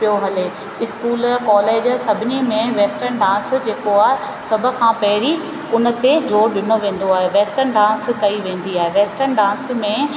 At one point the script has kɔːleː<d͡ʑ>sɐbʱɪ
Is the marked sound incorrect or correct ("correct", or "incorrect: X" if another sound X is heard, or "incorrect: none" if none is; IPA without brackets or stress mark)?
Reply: correct